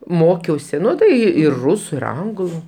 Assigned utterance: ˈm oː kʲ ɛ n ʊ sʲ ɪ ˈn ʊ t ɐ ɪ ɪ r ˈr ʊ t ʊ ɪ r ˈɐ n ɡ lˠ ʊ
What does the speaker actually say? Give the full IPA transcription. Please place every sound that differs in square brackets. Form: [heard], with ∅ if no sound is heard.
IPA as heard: ˈm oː kʲ ɛ [∅] ʊ sʲ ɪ ˈn ʊ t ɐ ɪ ɪ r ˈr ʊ [s] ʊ ɪ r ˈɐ [ŋ] ɡ lˠ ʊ